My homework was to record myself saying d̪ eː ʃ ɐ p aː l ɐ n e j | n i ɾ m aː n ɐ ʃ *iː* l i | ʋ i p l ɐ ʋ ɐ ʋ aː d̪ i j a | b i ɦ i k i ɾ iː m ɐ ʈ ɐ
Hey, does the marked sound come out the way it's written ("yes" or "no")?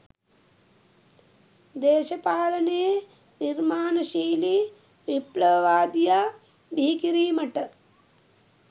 yes